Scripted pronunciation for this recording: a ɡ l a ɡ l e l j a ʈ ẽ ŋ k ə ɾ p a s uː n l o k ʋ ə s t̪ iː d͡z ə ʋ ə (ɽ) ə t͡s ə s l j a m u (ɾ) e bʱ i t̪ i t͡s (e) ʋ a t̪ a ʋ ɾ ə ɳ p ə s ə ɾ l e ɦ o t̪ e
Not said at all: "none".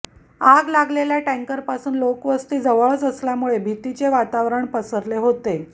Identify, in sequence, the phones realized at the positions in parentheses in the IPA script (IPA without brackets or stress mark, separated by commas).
ɭ, ɭ, e